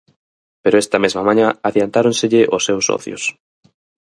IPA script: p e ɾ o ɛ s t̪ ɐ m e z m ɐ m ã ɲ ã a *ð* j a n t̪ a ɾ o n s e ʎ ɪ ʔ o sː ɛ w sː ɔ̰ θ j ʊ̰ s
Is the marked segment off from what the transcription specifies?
no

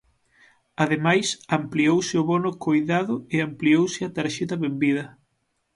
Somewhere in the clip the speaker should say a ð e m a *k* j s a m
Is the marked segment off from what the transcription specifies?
yes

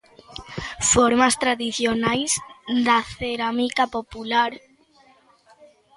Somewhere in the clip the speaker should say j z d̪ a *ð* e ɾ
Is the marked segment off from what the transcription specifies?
yes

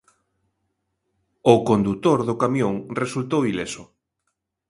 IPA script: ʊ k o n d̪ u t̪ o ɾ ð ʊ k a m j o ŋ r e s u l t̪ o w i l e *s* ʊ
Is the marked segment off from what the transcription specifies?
no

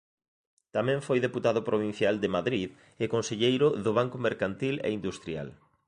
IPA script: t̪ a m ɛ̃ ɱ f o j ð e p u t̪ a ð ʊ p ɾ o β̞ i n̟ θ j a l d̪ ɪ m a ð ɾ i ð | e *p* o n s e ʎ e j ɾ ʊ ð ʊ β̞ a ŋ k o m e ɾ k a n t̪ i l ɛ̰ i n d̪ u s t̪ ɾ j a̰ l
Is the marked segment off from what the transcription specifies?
yes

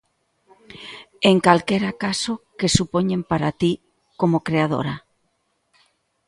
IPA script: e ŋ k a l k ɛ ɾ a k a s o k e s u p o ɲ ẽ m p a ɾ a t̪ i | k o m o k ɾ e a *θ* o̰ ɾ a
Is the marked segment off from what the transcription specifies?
yes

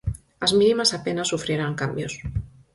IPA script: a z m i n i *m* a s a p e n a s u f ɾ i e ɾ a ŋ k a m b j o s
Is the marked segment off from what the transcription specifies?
no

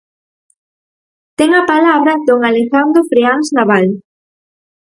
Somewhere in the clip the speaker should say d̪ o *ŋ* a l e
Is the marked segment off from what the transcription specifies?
no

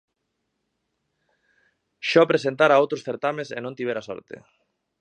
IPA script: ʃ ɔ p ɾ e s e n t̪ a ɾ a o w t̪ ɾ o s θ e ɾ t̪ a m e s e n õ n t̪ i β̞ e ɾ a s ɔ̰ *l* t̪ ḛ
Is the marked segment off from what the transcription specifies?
yes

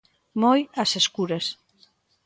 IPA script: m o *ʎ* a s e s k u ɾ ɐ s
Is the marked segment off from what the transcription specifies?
yes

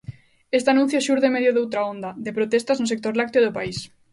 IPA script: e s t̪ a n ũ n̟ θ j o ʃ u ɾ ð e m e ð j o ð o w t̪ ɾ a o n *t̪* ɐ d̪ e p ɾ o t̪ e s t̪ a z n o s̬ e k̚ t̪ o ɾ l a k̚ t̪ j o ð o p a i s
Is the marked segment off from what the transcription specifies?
yes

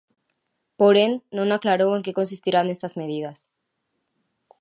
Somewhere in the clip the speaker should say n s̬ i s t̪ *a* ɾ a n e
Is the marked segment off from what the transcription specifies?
yes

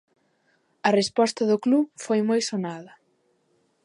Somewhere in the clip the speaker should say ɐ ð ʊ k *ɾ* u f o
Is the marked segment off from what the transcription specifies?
yes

